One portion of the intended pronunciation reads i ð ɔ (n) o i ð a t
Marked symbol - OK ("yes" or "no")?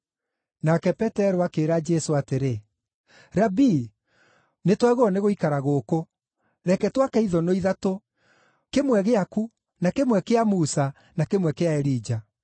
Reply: yes